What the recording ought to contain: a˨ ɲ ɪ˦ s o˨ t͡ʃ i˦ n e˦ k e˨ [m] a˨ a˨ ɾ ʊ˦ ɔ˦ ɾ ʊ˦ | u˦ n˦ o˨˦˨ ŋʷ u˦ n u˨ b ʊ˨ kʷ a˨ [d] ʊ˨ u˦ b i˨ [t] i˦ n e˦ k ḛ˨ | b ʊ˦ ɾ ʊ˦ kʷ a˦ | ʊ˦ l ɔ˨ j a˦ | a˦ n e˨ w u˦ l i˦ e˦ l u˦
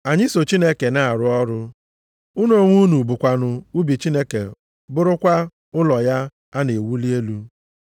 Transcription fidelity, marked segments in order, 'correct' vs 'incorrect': incorrect: n, incorrect: n, incorrect: t͡ʃ

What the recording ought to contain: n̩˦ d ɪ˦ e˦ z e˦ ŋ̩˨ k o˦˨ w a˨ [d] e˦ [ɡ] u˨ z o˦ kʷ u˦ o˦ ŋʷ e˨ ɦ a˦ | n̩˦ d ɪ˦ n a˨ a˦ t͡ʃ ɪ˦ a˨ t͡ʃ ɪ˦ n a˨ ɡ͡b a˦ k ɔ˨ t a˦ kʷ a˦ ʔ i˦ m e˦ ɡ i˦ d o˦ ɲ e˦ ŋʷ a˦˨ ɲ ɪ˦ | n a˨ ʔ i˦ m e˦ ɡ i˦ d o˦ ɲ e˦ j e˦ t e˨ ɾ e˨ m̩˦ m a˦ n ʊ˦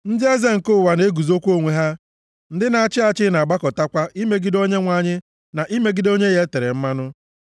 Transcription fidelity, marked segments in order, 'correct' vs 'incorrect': incorrect: n, correct

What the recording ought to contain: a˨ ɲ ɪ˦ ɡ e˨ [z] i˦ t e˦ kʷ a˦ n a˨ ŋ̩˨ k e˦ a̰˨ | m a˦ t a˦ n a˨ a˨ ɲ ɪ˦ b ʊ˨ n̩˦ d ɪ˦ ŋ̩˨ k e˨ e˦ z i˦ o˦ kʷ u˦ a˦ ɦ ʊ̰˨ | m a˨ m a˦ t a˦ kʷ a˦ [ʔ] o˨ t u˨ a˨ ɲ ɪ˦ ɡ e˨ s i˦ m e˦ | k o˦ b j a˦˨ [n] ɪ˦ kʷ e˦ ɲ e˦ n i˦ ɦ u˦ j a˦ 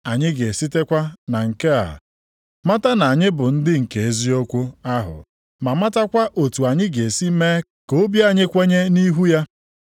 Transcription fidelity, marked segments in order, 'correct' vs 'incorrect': incorrect: s, correct, incorrect: ɲ

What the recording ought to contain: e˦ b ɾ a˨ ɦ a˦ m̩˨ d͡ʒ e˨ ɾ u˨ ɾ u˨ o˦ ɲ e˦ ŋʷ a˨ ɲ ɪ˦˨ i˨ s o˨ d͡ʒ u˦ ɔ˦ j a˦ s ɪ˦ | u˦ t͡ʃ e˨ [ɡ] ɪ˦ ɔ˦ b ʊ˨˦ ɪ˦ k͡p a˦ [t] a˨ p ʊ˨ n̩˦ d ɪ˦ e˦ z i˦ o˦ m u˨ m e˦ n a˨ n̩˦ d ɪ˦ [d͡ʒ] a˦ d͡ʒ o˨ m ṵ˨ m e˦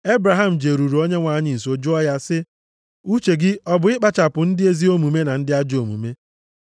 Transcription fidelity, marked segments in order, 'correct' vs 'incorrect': correct, incorrect: t͡ʃ, incorrect: none

